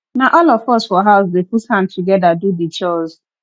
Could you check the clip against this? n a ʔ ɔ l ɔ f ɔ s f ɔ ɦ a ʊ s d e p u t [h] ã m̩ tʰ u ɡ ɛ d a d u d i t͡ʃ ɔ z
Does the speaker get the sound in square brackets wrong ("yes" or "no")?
no